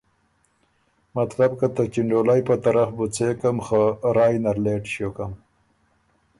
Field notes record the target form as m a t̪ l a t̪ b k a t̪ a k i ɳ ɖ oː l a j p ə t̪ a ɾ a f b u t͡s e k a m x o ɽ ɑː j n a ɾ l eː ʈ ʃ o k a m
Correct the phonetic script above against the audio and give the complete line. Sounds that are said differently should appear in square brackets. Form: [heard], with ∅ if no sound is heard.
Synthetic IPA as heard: m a t̪ l a [∅] b k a t̪ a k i ɳ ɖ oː l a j p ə t̪ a ɾ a f b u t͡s e k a m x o [ɾ] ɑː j n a ɾ l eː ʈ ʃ o k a m